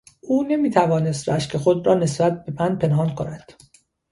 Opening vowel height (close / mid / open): close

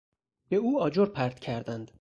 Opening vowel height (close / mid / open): mid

